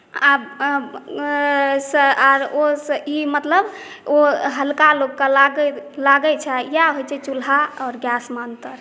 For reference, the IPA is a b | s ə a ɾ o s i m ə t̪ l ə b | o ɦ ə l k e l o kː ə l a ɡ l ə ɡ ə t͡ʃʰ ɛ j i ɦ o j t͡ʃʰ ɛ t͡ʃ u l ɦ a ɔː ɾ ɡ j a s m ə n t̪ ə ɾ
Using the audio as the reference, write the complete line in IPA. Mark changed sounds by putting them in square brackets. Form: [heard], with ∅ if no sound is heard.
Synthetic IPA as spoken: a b | s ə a ɾ o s i m ə t̪ l ə b | o ɦ ə l k [a] l o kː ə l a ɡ l [a] ɡ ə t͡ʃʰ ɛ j [a] ɦ o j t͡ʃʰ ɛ t͡ʃ u l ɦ a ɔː ɾ ɡ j a s m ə n t̪ ə ɾ